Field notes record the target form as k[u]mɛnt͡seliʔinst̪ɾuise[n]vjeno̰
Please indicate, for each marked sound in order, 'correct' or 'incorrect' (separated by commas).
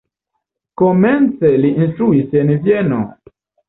incorrect, correct